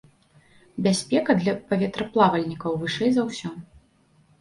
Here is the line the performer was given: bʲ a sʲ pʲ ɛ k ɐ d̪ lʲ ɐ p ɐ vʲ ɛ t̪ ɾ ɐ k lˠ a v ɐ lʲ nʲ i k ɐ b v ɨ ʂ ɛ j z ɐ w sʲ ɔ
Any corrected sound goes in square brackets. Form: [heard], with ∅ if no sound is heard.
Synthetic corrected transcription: bʲ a sʲ pʲ ɛ k ɐ d̪ lʲ ɐ p ɐ vʲ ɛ t̪ ɾ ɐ [p] lˠ a v ɐ lʲ nʲ i k ɐ [w] v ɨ ʂ ɛ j z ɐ w sʲ ɔ